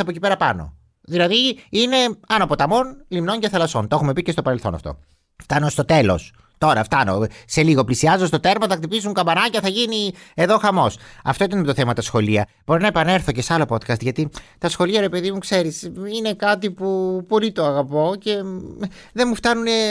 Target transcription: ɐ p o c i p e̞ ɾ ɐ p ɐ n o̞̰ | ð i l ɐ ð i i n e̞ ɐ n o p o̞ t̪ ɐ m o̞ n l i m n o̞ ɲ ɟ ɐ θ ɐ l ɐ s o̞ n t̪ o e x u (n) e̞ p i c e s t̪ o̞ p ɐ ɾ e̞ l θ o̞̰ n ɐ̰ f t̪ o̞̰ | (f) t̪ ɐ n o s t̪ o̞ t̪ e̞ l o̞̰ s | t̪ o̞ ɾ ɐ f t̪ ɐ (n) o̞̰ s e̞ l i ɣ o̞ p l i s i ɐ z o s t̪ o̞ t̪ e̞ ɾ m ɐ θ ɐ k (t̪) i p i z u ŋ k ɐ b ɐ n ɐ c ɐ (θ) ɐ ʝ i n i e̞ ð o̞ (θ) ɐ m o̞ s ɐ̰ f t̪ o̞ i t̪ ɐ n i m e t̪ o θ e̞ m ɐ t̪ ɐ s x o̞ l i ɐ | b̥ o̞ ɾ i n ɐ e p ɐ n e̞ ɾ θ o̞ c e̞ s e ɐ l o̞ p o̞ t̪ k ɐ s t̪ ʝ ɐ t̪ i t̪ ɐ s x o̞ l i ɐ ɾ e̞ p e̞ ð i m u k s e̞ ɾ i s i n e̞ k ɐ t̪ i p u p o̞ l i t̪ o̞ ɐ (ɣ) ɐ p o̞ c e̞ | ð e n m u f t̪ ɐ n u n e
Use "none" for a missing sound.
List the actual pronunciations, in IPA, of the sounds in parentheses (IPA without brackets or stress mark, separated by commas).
m, f, n, t̪, θ, x, ɣ